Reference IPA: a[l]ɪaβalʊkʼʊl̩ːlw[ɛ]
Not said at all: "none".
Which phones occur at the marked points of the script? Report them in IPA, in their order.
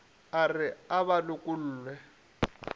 r, ɛ

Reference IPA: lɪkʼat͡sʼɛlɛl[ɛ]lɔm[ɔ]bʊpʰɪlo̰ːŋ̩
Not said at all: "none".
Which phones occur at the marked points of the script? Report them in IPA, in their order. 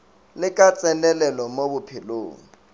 ɛ, o

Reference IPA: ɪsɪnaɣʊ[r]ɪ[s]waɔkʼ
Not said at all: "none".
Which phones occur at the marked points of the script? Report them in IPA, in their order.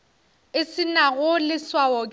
l, s

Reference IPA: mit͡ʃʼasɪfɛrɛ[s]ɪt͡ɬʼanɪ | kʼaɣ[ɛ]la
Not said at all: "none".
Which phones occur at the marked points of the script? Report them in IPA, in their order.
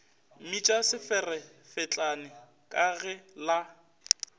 f, ɛ

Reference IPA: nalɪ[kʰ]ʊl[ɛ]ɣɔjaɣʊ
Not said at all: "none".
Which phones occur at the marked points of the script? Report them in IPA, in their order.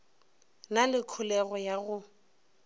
kʰ, ɛ

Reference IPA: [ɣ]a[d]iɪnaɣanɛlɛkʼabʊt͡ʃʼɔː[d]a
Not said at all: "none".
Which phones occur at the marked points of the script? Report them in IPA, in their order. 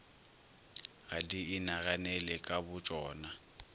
ɣ, d, n

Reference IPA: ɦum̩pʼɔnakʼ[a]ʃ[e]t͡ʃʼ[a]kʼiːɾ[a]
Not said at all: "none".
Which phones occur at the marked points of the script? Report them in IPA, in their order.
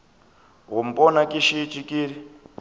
i, i, i, i

